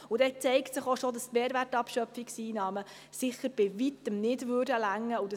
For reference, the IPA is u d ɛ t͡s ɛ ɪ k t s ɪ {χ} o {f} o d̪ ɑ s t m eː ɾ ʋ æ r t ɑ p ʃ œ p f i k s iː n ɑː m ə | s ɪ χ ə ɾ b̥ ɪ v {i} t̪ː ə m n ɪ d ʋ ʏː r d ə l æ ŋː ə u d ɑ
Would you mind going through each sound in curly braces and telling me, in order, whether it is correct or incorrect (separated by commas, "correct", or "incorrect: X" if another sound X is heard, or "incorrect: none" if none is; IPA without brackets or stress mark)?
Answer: correct, incorrect: ʃ, correct